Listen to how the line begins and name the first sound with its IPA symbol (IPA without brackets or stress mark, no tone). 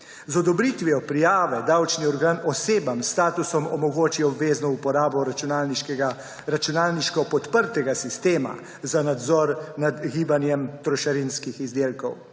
z